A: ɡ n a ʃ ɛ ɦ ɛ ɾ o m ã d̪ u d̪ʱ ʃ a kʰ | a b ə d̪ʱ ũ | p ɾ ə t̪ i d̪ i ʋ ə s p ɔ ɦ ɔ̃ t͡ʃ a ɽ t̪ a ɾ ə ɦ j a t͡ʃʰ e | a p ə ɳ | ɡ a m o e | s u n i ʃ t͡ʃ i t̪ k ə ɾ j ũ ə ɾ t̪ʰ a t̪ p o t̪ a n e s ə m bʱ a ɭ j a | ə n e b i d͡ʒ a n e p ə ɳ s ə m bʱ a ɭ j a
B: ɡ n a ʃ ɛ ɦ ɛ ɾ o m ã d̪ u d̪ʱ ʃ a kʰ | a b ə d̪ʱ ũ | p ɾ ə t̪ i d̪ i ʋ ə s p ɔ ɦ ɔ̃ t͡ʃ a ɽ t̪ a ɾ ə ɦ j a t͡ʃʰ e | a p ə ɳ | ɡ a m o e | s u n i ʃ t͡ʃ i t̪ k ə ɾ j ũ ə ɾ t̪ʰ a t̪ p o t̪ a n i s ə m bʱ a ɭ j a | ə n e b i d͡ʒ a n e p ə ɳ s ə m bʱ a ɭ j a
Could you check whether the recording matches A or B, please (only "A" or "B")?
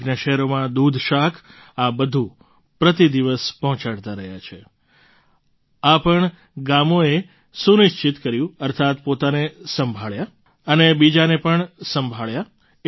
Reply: A